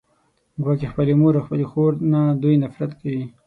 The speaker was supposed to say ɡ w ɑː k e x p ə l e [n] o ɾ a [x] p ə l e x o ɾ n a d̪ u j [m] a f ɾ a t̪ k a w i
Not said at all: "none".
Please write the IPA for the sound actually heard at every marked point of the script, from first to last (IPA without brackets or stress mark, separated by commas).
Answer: m, x, n